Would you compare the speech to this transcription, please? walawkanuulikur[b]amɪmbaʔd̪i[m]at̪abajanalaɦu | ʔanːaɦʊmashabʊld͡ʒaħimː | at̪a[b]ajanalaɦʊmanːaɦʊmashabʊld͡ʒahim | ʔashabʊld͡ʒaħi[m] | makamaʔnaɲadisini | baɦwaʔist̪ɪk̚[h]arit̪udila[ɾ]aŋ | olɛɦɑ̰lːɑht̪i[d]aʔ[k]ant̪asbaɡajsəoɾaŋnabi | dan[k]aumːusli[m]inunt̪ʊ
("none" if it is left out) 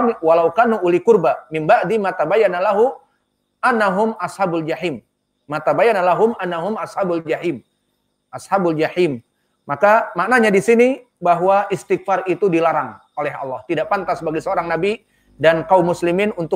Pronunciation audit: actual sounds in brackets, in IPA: b, m, b, m, f, ɾ, d, p, k, m

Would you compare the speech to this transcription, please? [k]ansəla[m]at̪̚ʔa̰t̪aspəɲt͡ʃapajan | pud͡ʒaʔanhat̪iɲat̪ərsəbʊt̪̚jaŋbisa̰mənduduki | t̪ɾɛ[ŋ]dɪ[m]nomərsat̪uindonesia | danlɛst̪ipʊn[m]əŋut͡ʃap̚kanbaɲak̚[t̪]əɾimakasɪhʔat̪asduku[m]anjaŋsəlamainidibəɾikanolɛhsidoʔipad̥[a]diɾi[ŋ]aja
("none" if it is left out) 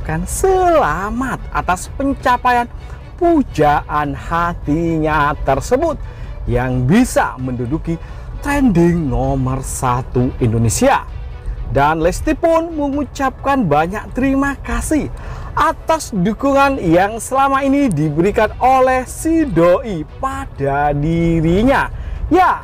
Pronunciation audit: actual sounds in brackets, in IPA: k, m, n, ŋ, m, t̪, ŋ, a, ɲ

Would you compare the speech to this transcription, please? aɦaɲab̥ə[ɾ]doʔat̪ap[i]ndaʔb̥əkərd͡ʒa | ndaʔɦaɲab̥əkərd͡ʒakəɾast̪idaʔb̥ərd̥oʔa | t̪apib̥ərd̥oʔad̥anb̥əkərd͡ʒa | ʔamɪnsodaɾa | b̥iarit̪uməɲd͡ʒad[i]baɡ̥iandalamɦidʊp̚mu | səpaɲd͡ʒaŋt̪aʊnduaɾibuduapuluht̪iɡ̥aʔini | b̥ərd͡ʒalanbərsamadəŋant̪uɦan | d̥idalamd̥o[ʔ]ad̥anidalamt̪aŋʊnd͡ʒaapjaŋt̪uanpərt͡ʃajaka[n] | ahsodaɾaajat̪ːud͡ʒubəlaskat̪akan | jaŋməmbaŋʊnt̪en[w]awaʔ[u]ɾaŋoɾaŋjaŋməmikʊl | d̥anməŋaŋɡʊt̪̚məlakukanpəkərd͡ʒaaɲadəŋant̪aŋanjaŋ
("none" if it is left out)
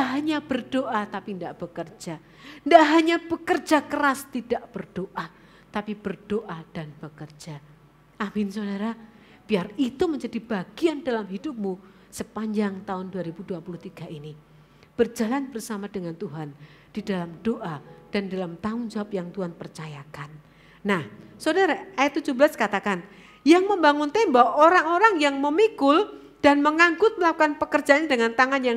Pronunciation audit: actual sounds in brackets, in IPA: r, i, i, ʔ, nː, b, o

